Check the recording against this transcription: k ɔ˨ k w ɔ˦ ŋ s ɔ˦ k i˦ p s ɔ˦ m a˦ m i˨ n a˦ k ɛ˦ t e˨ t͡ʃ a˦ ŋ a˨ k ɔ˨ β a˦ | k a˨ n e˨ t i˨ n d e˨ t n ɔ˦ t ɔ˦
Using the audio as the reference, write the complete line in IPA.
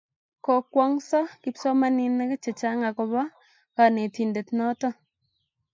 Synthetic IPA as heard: k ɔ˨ k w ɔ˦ ŋ s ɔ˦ k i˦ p s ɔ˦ m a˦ n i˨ n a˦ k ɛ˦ t͡ʃ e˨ t͡ʃ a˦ ŋ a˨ k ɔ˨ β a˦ | k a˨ n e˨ t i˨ n d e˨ t n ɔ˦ t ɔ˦